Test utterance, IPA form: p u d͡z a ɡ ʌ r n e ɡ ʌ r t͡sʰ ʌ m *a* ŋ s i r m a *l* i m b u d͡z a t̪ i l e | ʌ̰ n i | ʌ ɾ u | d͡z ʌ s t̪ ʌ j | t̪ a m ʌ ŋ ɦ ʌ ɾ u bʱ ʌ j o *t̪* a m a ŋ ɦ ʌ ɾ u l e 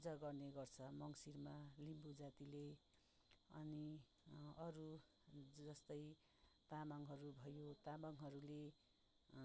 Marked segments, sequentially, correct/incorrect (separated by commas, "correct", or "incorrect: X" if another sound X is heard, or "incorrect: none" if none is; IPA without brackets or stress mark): incorrect: ʌ, correct, correct